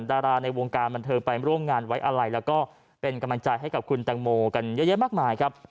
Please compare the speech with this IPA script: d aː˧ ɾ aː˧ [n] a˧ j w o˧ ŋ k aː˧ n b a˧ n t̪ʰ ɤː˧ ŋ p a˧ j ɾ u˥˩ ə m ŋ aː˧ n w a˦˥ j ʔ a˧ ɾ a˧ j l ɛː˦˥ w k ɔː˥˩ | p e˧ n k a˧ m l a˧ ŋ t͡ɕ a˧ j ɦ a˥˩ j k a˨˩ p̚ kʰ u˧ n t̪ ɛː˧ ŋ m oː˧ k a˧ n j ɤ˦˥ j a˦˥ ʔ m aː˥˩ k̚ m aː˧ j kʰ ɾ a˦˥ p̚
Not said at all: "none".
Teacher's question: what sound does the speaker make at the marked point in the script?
n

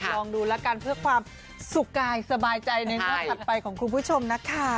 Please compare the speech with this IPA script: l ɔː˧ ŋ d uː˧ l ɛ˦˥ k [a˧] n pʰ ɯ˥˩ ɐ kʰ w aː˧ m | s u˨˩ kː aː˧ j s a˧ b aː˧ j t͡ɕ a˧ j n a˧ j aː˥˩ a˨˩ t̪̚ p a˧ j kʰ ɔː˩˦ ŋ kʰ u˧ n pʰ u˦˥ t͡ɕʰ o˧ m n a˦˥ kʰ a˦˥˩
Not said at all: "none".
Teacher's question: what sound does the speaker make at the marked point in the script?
a˧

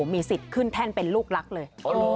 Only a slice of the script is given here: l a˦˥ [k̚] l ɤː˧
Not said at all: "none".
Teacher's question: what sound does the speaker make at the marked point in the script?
k̚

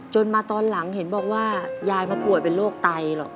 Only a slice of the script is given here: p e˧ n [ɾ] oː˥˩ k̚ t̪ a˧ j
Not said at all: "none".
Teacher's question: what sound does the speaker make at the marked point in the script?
l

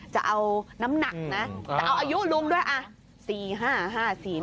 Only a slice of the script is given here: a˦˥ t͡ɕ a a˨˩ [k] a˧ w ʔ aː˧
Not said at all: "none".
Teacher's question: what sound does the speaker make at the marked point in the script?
ʔ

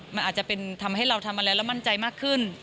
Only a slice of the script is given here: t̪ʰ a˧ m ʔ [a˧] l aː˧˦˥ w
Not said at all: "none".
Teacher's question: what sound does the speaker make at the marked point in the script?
a˧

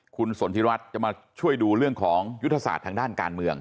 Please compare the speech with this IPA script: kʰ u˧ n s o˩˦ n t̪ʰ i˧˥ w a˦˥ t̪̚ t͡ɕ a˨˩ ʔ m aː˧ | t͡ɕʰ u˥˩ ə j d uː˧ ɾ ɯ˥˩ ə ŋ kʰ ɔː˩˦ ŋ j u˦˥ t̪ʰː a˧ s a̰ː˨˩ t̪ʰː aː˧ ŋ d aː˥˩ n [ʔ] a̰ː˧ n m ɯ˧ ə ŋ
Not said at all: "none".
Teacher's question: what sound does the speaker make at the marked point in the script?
k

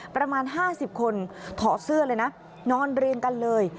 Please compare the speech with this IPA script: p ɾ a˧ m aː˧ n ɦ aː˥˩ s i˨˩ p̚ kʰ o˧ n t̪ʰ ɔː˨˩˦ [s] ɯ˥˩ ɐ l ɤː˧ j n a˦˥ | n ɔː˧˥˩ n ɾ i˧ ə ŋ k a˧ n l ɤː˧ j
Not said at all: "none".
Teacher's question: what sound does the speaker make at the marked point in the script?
s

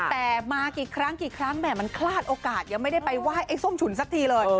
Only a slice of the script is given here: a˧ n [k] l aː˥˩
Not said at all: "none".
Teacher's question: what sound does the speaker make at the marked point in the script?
kʰ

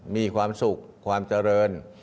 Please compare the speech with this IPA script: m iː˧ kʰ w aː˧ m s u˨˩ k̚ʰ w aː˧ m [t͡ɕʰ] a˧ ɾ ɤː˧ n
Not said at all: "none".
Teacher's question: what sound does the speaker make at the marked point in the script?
t͡ɕ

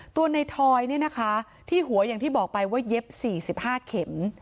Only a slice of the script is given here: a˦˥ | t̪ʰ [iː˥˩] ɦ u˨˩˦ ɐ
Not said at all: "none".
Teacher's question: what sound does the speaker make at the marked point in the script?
iː˥˩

